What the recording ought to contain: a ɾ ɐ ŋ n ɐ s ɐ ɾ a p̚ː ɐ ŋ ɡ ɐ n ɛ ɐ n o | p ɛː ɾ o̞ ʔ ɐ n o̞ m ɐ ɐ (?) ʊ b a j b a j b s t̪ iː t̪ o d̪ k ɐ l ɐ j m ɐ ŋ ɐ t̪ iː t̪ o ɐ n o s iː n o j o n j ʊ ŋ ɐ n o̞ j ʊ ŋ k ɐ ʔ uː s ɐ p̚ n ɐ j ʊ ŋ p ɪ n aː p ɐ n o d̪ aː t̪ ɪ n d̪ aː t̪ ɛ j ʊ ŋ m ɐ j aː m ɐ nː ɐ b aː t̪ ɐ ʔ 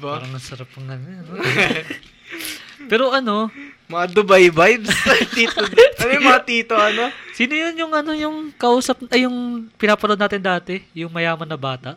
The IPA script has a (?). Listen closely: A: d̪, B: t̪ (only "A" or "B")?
A